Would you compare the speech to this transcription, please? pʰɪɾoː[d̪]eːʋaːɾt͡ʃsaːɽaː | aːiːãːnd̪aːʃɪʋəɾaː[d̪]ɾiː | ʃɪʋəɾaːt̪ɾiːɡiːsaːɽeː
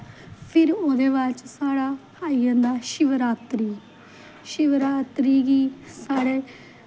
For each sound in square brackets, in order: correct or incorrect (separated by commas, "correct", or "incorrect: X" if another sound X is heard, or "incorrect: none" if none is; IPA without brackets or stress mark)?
correct, incorrect: t̪